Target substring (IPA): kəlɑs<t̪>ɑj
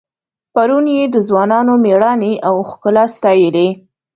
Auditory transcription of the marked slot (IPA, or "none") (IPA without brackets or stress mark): t̪